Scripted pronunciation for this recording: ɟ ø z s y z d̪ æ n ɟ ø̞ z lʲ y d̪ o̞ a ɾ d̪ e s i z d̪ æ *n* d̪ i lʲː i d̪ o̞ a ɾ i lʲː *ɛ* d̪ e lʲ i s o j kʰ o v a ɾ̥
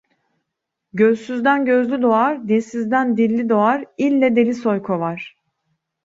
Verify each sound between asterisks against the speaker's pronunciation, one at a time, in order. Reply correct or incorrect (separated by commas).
correct, correct